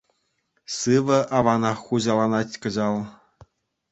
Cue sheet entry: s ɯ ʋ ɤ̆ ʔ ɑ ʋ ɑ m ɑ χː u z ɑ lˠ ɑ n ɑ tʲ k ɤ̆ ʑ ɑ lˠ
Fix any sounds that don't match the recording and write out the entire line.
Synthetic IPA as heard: s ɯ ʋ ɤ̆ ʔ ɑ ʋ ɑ n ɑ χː u ʑ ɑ lˠ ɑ n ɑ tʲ k ɤ̆ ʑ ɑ lˠ